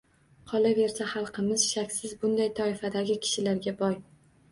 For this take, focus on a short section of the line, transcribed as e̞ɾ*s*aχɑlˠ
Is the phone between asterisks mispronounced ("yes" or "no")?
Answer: no